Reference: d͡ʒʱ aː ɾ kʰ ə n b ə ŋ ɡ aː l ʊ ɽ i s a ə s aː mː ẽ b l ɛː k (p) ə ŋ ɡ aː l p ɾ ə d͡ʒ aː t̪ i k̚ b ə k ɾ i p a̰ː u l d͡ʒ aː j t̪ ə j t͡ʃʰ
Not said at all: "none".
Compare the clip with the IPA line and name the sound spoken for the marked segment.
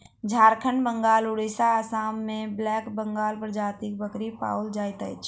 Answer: b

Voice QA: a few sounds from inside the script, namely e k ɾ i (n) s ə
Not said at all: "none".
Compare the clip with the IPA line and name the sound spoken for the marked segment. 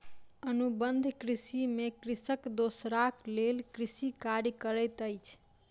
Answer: none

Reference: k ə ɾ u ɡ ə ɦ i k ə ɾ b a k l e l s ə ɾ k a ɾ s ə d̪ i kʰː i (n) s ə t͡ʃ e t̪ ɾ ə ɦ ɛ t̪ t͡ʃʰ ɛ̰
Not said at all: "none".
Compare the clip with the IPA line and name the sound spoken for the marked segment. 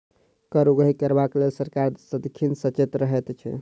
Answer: n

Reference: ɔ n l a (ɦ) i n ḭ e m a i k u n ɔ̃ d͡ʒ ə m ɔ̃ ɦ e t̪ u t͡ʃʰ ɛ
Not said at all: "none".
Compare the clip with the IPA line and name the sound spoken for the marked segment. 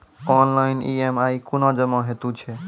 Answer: none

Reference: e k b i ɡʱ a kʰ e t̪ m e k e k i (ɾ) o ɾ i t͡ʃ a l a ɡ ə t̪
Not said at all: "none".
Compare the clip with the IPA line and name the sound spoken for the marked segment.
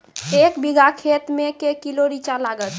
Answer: l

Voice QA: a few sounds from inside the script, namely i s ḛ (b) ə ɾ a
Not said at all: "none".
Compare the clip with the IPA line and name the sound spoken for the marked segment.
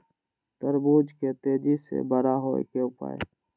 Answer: b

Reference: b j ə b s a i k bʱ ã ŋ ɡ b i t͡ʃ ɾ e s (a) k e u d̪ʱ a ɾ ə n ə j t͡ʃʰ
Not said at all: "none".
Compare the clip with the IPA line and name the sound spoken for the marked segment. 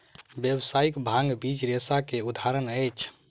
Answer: a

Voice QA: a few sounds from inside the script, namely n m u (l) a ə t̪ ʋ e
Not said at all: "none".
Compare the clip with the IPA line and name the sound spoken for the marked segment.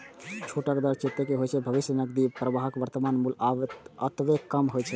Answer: l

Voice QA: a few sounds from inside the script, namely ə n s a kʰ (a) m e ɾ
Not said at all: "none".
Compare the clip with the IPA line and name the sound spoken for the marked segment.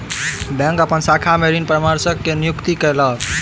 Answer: a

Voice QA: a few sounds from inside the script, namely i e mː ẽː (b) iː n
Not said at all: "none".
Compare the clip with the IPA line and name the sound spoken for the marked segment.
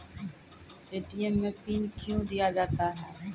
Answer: p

